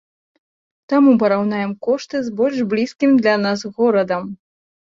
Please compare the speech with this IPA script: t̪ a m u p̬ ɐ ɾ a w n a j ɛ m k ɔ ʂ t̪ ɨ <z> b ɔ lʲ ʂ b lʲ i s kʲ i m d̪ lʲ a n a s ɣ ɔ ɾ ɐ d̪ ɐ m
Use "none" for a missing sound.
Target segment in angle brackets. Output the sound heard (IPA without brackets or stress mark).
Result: z